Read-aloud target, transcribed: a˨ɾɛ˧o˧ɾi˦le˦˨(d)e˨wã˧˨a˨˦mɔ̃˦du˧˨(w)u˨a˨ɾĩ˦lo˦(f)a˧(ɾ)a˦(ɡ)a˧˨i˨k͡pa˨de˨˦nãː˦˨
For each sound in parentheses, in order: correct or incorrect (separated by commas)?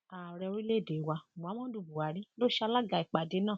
correct, incorrect, incorrect, incorrect, correct